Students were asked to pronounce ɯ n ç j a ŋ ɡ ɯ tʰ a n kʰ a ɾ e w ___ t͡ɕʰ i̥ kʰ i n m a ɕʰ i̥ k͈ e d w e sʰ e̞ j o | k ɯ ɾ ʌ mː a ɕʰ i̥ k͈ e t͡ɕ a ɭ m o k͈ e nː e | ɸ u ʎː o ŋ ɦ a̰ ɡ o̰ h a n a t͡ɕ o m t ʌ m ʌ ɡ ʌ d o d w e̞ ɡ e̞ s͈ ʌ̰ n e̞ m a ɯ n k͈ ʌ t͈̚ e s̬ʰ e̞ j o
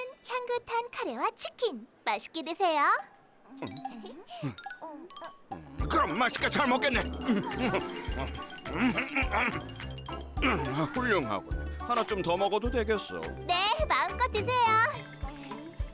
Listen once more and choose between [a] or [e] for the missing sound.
a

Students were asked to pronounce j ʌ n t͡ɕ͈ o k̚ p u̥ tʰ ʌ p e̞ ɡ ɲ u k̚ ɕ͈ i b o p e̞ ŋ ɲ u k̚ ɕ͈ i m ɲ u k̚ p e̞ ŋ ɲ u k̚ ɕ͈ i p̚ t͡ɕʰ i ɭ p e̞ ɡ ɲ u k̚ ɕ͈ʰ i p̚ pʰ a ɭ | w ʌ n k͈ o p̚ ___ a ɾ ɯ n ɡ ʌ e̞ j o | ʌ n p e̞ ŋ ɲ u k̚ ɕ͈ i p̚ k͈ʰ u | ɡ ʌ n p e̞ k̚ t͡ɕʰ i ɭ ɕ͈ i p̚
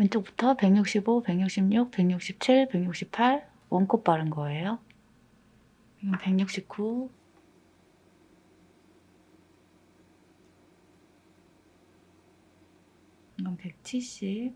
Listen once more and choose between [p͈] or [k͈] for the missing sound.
p͈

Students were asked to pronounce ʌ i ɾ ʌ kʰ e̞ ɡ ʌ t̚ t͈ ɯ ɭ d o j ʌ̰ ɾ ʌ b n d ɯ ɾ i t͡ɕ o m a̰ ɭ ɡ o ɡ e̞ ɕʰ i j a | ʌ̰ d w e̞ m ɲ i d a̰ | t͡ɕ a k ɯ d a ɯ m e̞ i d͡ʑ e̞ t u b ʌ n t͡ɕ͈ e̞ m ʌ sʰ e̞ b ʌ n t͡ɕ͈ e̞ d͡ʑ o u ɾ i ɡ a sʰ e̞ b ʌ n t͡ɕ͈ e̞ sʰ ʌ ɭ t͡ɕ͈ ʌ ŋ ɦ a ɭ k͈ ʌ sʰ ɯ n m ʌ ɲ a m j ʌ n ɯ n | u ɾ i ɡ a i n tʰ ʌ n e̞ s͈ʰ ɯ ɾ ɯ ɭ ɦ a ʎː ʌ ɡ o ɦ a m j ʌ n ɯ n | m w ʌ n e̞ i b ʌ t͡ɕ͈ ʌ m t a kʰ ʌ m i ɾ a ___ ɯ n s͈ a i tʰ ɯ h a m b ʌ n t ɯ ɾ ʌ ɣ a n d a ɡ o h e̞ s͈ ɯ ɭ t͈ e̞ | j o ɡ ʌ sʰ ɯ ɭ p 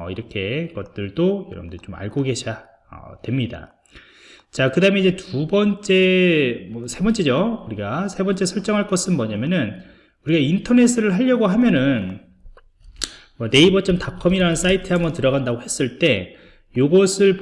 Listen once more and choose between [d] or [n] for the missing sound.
n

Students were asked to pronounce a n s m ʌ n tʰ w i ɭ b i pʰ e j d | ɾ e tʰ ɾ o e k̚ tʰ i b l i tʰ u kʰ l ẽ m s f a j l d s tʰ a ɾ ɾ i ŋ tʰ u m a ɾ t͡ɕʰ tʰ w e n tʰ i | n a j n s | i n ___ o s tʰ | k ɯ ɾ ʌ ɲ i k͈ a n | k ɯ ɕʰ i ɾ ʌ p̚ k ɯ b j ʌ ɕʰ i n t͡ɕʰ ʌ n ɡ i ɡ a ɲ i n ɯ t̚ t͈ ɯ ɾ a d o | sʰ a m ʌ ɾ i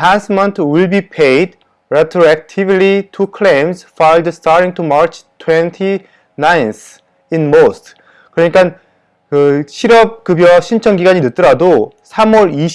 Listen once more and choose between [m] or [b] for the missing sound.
m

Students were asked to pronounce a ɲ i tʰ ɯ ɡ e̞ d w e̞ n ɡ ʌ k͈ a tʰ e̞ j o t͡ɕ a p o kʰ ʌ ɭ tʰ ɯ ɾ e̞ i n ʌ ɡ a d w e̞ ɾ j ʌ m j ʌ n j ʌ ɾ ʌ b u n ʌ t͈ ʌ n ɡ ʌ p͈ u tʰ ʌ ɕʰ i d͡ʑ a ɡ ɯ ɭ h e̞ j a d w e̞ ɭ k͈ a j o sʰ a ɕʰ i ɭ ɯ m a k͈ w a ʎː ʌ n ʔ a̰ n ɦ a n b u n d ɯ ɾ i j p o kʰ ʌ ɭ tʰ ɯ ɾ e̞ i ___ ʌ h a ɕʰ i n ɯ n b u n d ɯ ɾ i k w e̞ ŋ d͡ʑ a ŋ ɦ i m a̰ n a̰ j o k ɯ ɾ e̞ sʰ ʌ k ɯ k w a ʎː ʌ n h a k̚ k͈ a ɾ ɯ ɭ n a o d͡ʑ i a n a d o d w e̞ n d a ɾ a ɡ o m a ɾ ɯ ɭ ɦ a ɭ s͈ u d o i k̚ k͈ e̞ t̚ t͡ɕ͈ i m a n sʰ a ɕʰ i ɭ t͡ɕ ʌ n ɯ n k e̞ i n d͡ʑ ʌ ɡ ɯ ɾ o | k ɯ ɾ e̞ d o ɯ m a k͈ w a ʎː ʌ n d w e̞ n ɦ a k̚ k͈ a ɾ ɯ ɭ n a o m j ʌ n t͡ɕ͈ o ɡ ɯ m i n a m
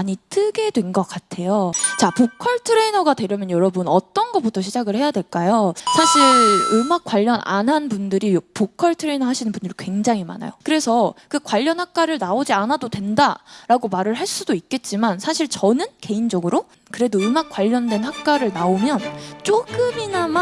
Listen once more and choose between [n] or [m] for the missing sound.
n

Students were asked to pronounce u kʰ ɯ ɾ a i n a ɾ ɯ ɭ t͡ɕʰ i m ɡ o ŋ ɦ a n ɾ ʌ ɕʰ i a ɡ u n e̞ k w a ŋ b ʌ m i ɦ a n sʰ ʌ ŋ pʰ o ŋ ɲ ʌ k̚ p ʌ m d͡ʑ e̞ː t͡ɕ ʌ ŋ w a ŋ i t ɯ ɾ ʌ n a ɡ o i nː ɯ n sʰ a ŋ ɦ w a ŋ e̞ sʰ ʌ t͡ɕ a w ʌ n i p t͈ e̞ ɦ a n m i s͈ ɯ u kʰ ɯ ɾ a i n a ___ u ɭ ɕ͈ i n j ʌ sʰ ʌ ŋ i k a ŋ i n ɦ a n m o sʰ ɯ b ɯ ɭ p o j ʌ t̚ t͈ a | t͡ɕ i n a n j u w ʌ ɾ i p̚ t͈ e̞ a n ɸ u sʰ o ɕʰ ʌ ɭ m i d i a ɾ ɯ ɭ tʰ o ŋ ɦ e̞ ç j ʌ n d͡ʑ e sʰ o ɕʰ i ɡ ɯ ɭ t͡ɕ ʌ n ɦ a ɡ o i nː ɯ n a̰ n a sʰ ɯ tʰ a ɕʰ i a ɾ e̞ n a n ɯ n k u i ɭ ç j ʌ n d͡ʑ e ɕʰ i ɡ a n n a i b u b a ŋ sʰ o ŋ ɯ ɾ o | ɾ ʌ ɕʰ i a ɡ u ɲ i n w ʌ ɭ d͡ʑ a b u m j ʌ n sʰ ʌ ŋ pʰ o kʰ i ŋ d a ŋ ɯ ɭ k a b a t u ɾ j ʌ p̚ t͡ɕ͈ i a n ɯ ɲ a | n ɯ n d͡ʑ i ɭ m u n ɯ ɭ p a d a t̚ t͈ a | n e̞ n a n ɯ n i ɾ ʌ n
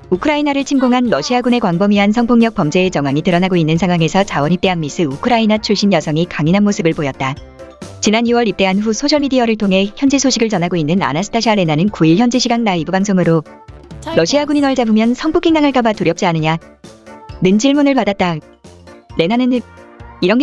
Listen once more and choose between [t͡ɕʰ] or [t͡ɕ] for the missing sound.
t͡ɕʰ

